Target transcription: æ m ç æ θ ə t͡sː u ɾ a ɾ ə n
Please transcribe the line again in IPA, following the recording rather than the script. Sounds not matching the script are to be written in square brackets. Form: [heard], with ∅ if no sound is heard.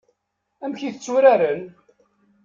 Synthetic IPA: æ m ç [i] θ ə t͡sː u ɾ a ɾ ə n